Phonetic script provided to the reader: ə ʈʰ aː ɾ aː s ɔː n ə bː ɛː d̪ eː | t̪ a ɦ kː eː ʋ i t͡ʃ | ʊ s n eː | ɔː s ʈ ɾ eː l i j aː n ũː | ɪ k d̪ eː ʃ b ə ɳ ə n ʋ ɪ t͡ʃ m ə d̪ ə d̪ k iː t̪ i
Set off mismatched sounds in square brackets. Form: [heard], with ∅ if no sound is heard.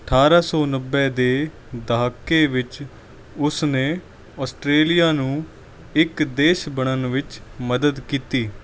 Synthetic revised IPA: ə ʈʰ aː ɾ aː s ɔː n ə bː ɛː d̪ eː | [d̪] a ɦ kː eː ʋ [ɪ] t͡ʃ | ʊ s n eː | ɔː s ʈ ɾ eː l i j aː n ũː | ɪ k d̪ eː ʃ b ə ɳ ə n ʋ ɪ t͡ʃ m ə d̪ ə d̪ k iː t̪ [iː]